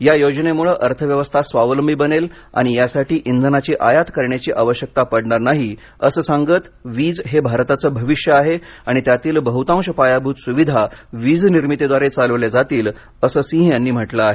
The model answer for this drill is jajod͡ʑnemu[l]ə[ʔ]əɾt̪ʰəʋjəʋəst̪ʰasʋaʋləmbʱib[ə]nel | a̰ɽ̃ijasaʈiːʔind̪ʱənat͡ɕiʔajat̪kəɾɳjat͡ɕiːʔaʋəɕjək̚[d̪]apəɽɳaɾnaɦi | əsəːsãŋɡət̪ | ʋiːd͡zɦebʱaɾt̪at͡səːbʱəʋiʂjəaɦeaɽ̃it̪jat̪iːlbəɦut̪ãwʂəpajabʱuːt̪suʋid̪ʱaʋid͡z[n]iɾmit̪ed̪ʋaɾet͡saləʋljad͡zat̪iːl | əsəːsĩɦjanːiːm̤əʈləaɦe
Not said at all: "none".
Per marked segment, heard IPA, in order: ɭ, ʔ, ə, t̪, n

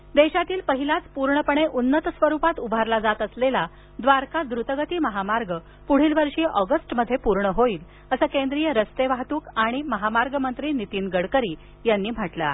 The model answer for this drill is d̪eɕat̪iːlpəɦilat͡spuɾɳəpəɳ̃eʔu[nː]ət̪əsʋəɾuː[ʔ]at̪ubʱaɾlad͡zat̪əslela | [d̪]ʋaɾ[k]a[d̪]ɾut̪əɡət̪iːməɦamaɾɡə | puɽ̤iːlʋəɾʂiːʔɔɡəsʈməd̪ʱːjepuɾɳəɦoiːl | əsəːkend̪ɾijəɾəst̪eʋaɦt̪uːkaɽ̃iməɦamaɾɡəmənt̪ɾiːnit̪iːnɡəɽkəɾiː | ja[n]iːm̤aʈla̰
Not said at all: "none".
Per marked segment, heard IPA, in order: nː, p, d̪, k, d̪, nː

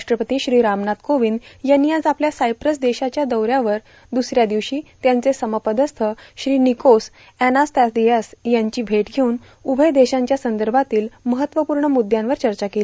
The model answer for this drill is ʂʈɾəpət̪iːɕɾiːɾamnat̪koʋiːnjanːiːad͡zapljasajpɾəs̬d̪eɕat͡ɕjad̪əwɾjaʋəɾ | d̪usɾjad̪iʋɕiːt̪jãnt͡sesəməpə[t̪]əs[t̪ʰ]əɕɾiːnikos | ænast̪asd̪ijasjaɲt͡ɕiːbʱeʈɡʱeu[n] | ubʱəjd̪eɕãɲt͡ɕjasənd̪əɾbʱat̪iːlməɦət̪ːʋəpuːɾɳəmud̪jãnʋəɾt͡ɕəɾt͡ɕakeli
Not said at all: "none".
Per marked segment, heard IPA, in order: d̪, t̪ʰ, n

